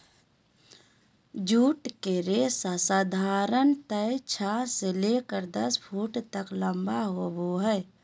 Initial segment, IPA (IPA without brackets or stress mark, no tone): d͡ʒ